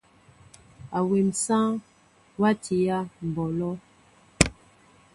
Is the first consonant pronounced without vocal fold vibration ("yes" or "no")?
no